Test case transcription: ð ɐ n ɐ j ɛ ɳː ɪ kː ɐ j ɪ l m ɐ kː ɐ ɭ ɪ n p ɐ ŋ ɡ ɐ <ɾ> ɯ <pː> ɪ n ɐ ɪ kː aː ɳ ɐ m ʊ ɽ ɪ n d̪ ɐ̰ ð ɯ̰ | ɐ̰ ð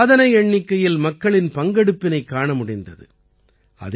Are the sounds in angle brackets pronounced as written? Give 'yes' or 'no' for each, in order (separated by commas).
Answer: no, yes